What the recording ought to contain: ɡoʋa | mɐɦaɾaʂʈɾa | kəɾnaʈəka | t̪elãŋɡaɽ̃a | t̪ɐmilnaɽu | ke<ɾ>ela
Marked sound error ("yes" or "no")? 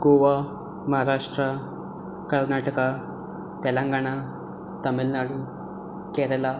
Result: no